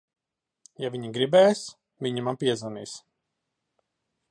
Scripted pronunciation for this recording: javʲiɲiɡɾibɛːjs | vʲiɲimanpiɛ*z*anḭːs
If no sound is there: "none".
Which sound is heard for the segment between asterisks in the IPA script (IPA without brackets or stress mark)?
z